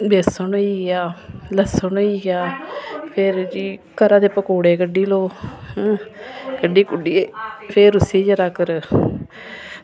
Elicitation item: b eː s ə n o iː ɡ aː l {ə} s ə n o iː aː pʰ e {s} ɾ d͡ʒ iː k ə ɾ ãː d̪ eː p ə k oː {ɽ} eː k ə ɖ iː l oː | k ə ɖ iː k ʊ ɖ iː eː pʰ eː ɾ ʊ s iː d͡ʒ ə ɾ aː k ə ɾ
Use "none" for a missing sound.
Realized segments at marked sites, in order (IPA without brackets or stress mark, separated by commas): ə, none, ɽ